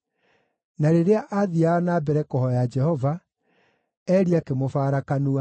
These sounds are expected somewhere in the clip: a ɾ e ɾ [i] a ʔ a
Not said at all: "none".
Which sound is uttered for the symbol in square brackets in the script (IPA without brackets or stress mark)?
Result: e